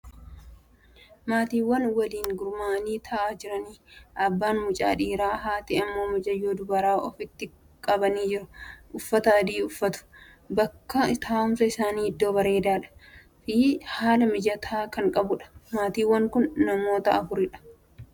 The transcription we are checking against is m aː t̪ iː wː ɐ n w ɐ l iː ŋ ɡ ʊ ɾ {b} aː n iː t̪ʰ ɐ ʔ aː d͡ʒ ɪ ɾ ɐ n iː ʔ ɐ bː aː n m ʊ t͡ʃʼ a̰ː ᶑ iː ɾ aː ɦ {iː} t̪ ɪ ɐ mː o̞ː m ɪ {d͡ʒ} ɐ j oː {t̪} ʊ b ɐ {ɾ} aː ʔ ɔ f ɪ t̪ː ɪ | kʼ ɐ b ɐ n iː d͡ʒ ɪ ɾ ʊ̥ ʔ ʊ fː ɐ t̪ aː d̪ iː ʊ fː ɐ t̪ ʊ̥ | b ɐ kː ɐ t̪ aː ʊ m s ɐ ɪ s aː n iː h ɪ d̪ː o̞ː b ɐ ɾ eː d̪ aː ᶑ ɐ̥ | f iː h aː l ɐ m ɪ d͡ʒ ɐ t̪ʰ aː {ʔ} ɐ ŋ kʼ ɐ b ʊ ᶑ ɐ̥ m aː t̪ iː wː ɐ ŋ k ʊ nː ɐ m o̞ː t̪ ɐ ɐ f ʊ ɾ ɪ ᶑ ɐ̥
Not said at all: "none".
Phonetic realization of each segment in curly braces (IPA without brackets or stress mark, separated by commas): m, aː, d͡ʒ, d̪, ɾ, k